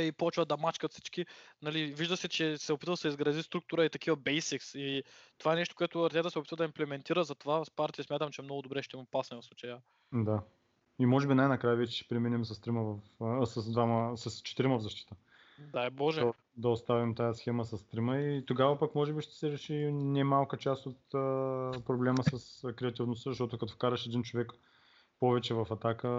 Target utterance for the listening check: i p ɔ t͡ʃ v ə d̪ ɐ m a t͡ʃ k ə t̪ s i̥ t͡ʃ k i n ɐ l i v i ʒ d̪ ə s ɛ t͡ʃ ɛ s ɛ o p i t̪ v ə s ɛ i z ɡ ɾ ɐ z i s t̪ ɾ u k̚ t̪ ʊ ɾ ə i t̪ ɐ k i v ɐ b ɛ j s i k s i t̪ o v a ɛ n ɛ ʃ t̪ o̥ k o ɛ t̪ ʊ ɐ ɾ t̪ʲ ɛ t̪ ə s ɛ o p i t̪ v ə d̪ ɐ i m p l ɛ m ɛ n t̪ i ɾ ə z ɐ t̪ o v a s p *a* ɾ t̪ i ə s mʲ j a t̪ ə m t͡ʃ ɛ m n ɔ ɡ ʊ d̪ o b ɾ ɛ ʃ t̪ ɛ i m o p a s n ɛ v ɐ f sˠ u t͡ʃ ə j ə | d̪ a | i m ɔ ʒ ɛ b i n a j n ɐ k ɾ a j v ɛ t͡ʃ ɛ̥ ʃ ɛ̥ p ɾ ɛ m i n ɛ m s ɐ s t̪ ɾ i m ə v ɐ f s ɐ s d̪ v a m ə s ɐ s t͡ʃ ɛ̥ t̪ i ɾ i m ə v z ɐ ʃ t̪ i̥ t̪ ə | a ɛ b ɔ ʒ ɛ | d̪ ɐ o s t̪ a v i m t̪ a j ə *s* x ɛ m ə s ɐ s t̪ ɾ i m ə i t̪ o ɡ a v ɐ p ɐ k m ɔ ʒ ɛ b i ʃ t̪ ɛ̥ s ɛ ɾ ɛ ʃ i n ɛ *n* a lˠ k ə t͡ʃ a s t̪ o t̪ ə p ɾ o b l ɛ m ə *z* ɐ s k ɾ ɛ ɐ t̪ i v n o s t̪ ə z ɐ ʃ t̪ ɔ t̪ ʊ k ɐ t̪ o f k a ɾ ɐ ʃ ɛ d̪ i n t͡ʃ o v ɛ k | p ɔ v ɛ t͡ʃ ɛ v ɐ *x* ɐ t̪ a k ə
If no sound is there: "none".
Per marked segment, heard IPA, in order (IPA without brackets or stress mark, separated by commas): a, s, m, s, f